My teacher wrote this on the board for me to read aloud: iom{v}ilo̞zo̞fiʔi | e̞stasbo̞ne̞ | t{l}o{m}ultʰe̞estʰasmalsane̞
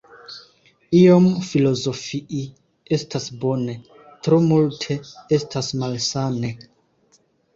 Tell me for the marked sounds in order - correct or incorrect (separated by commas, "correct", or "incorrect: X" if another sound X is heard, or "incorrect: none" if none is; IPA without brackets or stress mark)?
incorrect: f, incorrect: ɾ, correct